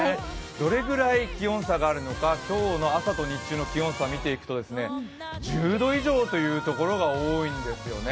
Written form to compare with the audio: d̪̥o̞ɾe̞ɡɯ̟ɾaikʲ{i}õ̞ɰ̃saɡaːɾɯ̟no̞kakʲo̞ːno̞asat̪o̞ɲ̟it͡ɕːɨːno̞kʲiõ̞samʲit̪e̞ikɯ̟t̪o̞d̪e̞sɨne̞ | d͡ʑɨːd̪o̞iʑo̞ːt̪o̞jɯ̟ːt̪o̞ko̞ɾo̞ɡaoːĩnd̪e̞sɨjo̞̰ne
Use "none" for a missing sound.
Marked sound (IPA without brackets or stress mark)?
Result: i